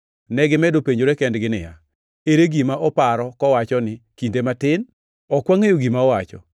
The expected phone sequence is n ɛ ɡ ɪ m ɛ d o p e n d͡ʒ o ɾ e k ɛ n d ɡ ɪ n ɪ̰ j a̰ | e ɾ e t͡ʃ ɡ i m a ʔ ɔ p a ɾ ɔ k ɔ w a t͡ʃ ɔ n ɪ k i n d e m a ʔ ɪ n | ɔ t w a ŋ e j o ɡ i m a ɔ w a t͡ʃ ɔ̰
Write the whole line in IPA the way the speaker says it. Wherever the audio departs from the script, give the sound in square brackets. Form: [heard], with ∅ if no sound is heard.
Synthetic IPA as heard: n ɛ ɡ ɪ m ɛ d o p e [ɲ] d͡ʒ o ɾ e k ɛ n d ɡ ɪ n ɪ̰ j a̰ | e ɾ e [∅] ɡ i m a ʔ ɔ p a ɾ ɔ k ɔ w a t͡ʃ ɔ n ɪ k i n d e m a [t] ɪ n | ɔ [k] w a ŋ e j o ɡ i m a ɔ w a t͡ʃ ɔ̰